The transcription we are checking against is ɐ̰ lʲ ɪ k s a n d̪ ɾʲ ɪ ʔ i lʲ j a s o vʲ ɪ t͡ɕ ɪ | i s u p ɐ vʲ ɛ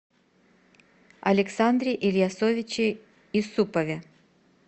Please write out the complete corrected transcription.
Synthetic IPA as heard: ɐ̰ lʲ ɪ k s a n d̪ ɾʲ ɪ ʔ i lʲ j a s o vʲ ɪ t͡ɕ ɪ | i s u p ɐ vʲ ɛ